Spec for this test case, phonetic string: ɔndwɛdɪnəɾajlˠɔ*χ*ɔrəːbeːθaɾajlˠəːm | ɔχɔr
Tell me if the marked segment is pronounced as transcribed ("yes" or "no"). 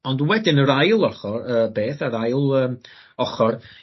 yes